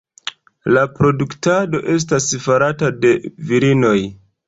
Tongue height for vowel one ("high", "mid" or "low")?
low